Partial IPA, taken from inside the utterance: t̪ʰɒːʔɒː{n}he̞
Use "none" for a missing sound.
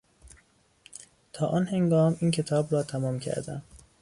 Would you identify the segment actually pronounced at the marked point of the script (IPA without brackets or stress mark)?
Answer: n